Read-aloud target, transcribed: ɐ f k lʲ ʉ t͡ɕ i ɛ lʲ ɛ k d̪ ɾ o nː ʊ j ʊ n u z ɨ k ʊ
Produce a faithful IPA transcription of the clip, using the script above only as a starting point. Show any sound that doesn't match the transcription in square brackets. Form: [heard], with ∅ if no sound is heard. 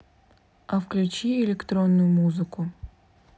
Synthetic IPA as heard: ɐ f k lʲ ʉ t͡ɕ i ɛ lʲ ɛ k [t̪] ɾ o nː ʊ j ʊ [m] u z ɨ k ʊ